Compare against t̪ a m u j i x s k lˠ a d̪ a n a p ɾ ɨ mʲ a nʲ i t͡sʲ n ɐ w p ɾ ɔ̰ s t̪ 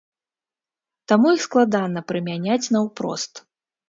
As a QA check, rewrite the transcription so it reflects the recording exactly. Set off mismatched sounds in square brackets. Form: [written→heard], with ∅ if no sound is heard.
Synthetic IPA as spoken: t̪ a m u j i x s k lˠ a d̪ a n [a→ɐ] p ɾ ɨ mʲ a nʲ [i→a] t͡sʲ n ɐ w p ɾ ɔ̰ s t̪